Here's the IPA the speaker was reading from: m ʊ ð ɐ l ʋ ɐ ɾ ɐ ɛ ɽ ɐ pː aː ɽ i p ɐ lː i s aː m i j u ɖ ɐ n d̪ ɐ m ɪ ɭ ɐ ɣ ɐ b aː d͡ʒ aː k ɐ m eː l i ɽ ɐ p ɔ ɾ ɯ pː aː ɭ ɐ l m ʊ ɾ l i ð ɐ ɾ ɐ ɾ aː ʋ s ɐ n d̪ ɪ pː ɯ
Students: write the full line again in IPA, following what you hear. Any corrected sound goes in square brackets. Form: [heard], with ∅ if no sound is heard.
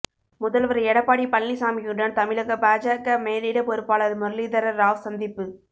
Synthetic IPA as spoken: m ʊ ð ɐ l ʋ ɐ ɾ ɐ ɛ ɽ ɐ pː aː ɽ i p ɐ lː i s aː m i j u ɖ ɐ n [t̪] ɐ m ɪ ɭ ɐ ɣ ɐ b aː d͡ʒ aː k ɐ m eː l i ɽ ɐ p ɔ ɾ ɯ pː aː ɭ ɐ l m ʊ ɾ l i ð ɐ ɾ ɐ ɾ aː ʋ s ɐ n d̪ ɪ pː ɯ

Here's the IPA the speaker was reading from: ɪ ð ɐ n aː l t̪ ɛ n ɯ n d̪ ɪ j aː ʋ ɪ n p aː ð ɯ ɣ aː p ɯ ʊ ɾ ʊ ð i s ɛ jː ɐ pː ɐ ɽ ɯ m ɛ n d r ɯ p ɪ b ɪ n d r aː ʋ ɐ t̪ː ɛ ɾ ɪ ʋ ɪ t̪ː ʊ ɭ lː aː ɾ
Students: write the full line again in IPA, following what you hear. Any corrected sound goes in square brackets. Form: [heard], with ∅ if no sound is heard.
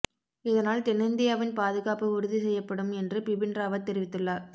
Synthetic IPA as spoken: ɪ ð ɐ n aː l t̪ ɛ n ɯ n d̪ ɪ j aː ʋ ɪ n p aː ð ɯ ɣ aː p ɯ ʊ ɾ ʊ ð i s ɛ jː ɐ pː ɐ ɽ ɯ m ɛ n d r ɯ p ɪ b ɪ n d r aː ʋ ɐ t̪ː ɛ ɾ ɪ ʋ ɪ t̪ː [ɯ] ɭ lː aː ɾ

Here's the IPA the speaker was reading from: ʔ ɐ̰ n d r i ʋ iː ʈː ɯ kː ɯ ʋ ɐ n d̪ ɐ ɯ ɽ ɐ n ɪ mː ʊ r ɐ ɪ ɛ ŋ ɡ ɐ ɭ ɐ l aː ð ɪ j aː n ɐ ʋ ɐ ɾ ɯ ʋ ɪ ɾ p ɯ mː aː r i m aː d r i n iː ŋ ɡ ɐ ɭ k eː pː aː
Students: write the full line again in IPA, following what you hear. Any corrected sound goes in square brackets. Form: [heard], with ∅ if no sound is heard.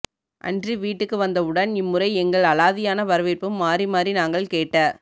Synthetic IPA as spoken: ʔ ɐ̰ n d r i ʋ iː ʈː ɯ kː ɯ ʋ ɐ n d̪ ɐ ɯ ɽ ɐ n ɪ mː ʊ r ɐ ɪ ɛ ŋ ɡ ɐ ɭ ɐ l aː ð ɪ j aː n ɐ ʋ ɐ ɾ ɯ ʋ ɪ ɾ p ɯ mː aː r i m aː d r i n [aː] ŋ ɡ ɐ ɭ k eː [ʈː] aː

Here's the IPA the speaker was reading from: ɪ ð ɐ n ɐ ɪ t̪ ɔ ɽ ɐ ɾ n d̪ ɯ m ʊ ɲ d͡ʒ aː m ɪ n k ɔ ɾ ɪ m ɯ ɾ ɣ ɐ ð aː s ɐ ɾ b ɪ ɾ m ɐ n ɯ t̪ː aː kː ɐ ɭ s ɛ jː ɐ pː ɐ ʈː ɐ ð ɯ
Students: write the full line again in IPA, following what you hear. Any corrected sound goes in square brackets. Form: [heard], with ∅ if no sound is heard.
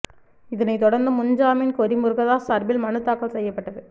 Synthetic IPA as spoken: ɪ ð ɐ n ɐ ɪ t̪ ɔ ɽ ɐ ɾ n d̪ ɯ m ʊ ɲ d͡ʒ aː m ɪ n k ɔ ɾ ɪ m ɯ ɾ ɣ ɐ ð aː s ɐ ɾ b ɪ [l] m ɐ n ɯ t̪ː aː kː ɐ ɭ s ɛ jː ɐ pː ɐ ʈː ɐ ð ɯ

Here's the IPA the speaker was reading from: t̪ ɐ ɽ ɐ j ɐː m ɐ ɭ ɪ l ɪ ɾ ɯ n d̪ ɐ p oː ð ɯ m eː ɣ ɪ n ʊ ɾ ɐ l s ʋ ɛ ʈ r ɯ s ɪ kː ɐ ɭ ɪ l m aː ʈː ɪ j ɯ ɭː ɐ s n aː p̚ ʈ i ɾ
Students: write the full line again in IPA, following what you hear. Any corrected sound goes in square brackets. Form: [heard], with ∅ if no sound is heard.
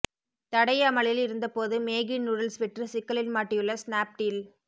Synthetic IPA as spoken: t̪ ɐ ɽ ɐ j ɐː m ɐ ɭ ɪ l ɪ ɾ ɯ n d̪ ɐ p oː ð ɯ m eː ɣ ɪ n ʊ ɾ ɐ l s ʋ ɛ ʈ r ɯ s ɪ kː ɐ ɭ ɪ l m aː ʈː ɪ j ɯ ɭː ɐ s n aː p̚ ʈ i [l]

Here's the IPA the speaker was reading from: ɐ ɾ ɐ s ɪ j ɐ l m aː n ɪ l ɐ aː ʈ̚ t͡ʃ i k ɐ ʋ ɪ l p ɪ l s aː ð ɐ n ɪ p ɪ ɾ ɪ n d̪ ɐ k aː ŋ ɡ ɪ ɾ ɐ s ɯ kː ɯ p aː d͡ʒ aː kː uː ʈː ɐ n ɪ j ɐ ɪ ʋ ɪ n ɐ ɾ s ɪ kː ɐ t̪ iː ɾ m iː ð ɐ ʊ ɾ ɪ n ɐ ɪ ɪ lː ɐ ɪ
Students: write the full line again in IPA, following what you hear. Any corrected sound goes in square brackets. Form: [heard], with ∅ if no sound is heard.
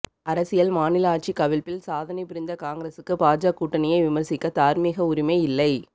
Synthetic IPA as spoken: ɐ ɾ ɐ s ɪ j ɐ l m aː n ɪ l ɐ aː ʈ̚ t͡ʃ i k ɐ ʋ ɪ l p ɪ l s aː ð ɐ n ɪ p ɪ ɾ ɪ n d̪ ɐ k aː ŋ ɡ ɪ ɾ ɐ s ɯ kː ɯ p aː d͡ʒ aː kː uː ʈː ɐ n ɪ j ɐ ɪ ʋ ɪ [m] ɐ ɾ s ɪ kː ɐ t̪ [aː] ɾ m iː [ɣ] ɐ ʊ ɾ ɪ [m] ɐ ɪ ɪ lː ɐ ɪ

